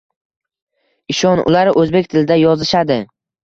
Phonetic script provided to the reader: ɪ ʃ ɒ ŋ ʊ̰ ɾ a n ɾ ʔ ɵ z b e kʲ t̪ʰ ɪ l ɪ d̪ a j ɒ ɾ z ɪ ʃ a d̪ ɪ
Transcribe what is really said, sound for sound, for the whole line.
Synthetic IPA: ɪ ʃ ɒ n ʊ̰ l a ɾ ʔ ɵ z b e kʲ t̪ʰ ɪ l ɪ d̪ a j ɒ z ɪ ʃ a d̪ ɪ